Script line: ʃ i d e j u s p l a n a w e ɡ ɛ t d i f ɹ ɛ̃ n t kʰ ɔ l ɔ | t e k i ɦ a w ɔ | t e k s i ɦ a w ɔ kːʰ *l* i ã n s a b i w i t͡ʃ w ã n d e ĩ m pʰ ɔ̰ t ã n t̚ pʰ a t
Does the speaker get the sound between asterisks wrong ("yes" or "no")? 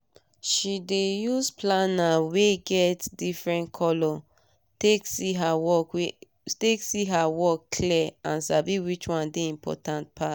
no